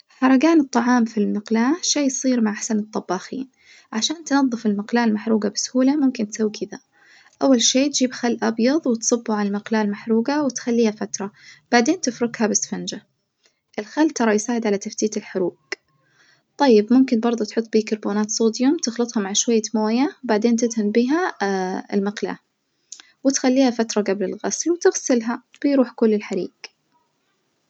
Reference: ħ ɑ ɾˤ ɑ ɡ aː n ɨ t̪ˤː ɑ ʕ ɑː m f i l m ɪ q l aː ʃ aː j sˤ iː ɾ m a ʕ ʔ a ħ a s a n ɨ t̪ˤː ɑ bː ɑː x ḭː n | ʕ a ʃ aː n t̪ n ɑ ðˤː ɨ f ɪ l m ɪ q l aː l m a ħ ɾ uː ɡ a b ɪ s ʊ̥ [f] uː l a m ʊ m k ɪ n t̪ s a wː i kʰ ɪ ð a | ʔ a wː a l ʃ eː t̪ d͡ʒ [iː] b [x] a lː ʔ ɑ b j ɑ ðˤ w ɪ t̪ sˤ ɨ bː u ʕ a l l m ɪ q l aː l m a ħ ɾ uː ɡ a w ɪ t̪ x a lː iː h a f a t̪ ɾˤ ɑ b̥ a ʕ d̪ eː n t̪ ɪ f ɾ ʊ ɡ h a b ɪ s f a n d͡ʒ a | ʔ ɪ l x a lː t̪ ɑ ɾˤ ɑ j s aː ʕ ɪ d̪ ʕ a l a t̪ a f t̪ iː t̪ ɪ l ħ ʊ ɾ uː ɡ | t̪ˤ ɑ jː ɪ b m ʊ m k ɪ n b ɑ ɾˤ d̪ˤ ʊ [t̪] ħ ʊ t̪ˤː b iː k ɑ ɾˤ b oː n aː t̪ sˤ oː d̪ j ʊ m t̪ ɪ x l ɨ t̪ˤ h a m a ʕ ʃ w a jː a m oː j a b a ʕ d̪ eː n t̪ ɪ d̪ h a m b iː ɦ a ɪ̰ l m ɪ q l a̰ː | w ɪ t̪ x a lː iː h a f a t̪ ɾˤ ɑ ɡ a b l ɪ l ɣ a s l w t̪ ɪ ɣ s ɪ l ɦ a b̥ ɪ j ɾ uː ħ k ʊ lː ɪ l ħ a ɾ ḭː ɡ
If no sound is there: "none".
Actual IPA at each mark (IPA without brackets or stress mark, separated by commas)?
h, iː, x, t̪